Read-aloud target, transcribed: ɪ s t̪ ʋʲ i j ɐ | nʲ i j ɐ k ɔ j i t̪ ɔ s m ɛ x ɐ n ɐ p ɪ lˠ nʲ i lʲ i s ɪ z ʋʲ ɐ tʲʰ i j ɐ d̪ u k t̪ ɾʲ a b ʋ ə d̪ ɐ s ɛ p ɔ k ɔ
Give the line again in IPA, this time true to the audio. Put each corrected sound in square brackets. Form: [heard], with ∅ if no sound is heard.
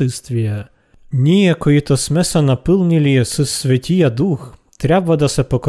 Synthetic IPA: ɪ s t̪ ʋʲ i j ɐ | nʲ i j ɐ k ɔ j i t̪ ɔ s m ɛ [s] ɐ n ɐ p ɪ lˠ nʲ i lʲ i s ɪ [s] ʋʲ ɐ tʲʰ i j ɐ d̪ u [x] t̪ ɾʲ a b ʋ [ɐ] d̪ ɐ s ɛ p ɔ k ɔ